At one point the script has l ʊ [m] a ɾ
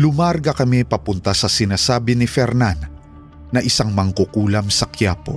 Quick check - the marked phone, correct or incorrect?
correct